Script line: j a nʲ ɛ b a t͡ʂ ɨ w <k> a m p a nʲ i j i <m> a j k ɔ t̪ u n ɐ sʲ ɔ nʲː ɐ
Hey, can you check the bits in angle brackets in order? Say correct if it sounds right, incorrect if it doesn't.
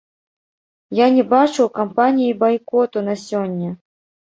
correct, incorrect

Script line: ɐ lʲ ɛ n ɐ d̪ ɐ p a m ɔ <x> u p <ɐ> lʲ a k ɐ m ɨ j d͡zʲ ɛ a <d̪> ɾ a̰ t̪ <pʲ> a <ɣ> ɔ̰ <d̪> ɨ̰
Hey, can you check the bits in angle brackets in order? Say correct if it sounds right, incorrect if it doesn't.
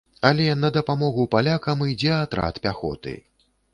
incorrect, incorrect, incorrect, correct, incorrect, incorrect

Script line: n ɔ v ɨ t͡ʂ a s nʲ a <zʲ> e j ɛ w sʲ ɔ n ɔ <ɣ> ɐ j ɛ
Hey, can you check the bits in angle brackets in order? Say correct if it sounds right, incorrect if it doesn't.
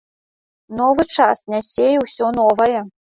incorrect, incorrect

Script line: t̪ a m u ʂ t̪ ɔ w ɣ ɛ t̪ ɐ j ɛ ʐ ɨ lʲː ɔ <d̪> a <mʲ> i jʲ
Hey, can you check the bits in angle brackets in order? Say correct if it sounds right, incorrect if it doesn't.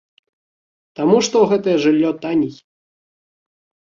incorrect, incorrect

